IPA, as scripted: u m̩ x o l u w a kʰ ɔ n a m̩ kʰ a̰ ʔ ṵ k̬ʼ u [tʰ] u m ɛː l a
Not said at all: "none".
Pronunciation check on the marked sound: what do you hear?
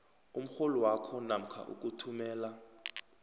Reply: tʰ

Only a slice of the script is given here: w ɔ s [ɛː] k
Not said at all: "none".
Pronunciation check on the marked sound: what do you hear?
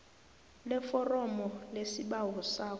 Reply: aː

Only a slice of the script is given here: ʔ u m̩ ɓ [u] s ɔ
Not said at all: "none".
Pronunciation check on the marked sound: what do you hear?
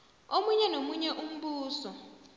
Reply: uː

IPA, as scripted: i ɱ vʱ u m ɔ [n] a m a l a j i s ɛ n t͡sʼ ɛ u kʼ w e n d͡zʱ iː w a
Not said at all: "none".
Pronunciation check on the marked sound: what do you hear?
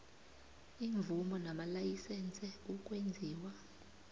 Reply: n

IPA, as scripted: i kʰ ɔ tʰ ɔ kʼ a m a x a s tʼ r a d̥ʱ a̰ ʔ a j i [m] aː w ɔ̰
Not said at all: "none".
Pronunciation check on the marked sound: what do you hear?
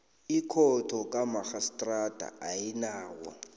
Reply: n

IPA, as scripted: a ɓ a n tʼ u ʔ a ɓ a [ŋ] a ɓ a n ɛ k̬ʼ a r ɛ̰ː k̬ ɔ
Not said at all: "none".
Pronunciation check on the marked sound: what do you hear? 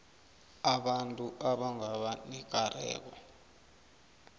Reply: ŋ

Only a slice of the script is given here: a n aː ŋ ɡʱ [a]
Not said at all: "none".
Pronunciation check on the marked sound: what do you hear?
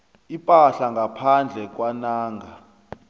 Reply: a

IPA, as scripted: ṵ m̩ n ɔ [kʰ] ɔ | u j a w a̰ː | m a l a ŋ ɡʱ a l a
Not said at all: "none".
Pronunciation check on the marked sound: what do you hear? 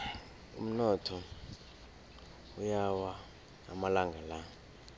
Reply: tʰ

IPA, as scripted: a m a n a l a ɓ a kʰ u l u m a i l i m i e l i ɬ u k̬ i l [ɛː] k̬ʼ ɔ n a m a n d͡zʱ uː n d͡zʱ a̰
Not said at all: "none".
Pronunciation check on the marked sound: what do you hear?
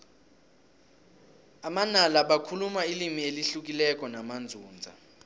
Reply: ɛ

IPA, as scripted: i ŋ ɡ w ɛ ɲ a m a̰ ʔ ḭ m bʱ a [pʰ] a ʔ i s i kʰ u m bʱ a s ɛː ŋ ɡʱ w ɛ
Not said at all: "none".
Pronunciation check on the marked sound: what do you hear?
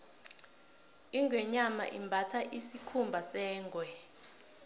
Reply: tʰ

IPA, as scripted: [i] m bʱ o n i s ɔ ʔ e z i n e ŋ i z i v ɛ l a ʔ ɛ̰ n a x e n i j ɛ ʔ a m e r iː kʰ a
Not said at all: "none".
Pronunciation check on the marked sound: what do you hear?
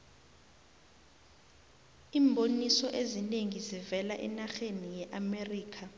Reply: iː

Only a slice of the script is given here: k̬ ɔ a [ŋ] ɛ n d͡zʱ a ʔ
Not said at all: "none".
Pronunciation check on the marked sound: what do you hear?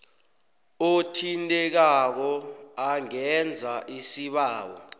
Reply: ŋ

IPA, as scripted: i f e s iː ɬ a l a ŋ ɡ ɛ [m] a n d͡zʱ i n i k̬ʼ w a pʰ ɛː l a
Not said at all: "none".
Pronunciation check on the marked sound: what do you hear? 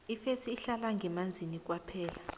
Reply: m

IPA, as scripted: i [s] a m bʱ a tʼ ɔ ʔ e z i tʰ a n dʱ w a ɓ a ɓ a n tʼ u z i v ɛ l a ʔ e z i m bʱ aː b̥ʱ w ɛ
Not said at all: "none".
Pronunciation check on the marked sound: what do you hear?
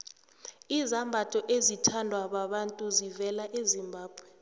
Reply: z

